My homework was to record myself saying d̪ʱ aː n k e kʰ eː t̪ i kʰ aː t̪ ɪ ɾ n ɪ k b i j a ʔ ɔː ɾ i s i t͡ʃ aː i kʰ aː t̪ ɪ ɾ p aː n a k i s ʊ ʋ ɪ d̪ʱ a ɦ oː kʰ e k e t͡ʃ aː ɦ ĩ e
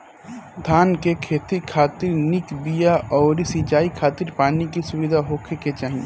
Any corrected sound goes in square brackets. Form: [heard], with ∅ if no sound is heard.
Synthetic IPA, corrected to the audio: d̪ʱ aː n k e kʰ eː t̪ i kʰ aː t̪ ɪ ɾ n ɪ k b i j a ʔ ɔː ɾ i s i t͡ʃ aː i kʰ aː t̪ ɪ ɾ p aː n [i] k i s ʊ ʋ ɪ d̪ʱ a ɦ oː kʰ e k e t͡ʃ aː ɦ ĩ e